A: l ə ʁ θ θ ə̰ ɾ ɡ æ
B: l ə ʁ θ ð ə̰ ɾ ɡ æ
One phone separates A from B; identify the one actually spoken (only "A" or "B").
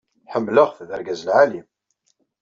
B